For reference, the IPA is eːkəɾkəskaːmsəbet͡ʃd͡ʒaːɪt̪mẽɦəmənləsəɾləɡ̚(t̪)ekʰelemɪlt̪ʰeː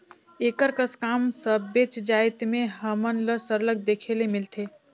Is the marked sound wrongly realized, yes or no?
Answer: yes